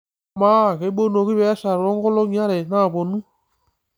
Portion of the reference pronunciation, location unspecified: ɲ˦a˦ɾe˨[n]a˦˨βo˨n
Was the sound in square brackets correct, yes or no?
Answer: yes